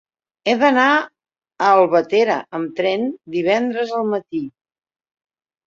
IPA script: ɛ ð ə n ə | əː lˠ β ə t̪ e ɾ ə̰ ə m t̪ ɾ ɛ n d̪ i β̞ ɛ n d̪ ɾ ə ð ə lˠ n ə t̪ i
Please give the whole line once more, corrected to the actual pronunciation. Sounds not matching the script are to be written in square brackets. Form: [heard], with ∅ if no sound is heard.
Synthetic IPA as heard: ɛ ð ə n [a] | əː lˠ β ə t̪ e ɾ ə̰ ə m t̪ ɾ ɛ n d̪ i β̞ ɛ n d̪ ɾ ə [z] ə lˠ [m] ə t̪ i